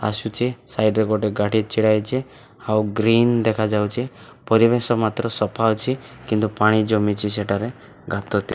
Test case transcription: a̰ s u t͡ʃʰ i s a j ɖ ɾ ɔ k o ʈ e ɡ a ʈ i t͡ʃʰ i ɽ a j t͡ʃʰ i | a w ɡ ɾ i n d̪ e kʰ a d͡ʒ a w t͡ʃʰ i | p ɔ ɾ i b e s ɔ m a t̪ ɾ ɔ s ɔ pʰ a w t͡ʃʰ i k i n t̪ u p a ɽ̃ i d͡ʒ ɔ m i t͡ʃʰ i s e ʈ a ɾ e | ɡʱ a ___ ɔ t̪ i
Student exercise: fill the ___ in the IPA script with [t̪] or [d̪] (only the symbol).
t̪